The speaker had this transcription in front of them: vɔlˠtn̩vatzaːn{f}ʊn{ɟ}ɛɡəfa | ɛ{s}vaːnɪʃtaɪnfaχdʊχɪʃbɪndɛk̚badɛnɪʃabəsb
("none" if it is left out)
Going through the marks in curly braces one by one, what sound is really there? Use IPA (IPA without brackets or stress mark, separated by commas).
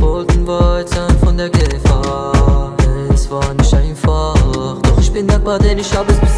f, d, s